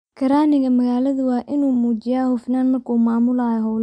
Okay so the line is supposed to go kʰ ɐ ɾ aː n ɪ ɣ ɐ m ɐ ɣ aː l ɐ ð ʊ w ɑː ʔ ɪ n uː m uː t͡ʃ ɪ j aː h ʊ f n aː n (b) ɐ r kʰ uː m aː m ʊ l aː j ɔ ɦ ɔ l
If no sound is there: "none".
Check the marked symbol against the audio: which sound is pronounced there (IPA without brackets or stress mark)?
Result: m